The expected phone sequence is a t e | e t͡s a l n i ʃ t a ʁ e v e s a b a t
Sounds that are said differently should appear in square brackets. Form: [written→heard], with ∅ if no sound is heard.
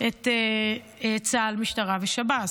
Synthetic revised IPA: [a→e] t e | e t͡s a l [n→m] i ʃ t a ʁ [e→a] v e [s→ʃ] a b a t

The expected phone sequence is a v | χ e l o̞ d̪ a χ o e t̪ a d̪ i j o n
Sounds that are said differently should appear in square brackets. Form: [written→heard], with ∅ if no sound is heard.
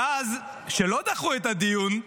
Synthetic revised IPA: a [v→z] | [χ→ʃ] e l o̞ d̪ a χ [o→u] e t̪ a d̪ i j [o→u] n

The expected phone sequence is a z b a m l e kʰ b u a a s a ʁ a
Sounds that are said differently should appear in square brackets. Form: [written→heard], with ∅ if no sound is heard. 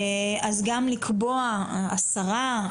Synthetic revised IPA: a z [b→ɡ] a m l [e→i] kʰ b [u→o] a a s a ʁ a

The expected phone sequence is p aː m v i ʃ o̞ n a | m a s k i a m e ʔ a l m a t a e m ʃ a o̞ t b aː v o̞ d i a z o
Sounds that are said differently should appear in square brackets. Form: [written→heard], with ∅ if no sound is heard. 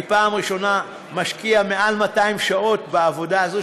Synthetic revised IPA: p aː m [v→ʁ] i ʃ o̞ n a | m a [s→ʃ] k i a m e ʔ a l m a t a [e→i] m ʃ a o̞ t b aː v o̞ d [i→a] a z o

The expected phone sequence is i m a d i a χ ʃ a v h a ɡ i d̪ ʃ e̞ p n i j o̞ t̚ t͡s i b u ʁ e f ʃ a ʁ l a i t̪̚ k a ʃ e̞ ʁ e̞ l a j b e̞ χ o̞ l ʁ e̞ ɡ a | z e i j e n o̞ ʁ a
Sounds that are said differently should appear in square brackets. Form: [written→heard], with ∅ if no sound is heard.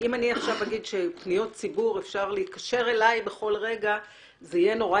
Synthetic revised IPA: i m a [d→n] i a χ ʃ a v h a ɡ i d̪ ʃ e̞ p n i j o̞ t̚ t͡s i b u ʁ e f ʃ a ʁ l [a→e] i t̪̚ k a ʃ e̞ ʁ e̞ l a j b e̞ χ o̞ l ʁ e̞ ɡ a | z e i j e n o̞ ʁ a

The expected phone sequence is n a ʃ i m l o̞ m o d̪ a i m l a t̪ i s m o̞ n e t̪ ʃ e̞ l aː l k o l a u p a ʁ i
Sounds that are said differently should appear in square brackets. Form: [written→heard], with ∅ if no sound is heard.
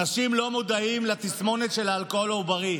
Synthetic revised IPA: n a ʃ i m l o̞ m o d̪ a i m l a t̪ i s m o̞ n e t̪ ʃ e̞ l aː l k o l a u [p→b] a ʁ i

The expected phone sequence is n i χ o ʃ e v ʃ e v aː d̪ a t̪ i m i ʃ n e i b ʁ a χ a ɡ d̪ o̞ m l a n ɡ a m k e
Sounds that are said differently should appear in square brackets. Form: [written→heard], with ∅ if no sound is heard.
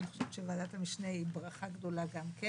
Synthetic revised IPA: n i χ o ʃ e v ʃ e v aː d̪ a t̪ [i→a] m i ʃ n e i b ʁ a χ a ɡ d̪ o̞ [m→∅] l a [n→∅] ɡ a m k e

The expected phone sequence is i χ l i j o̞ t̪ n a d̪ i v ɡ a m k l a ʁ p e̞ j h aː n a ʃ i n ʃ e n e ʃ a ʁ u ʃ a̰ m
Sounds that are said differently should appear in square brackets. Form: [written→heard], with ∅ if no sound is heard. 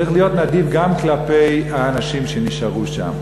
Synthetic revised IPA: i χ l i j o̞ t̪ n a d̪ i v ɡ a m k l a [ʁ→∅] p e̞ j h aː n a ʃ i [n→m] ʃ e n [e→i] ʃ a ʁ u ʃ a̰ m

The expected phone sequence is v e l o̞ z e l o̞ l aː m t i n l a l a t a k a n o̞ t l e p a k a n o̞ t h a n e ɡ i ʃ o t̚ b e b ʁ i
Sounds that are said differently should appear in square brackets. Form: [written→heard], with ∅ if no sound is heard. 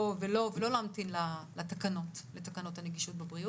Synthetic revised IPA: v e l o̞ [z→v] e l o̞ l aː m t i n l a l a t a k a n o̞ t l e [p→t] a k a n o̞ t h a n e ɡ i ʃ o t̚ b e b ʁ i

